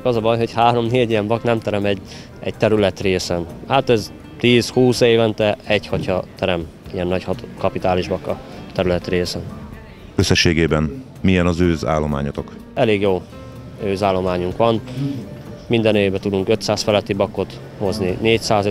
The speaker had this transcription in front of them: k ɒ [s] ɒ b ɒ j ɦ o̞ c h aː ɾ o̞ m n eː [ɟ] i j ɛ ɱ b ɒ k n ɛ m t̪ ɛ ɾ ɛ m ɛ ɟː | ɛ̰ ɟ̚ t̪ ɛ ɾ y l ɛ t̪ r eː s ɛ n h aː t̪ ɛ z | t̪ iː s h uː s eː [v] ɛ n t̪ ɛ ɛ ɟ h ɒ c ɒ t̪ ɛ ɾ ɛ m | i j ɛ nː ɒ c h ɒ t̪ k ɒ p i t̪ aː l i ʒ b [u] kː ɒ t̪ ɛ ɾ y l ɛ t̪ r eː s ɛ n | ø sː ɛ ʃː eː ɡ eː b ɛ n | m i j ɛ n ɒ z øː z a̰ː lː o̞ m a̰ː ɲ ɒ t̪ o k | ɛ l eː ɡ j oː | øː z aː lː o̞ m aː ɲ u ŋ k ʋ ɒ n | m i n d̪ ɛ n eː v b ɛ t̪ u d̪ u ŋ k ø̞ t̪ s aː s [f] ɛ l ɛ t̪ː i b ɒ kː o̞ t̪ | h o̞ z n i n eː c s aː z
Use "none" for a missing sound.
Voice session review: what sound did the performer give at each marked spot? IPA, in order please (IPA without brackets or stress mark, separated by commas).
z, ɟ, v, ɒ, f